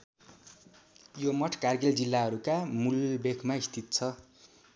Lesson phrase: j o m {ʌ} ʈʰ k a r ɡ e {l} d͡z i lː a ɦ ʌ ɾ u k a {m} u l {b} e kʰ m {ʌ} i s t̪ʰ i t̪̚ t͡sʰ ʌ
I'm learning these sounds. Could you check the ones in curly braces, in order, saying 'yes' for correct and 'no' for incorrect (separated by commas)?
yes, yes, yes, yes, no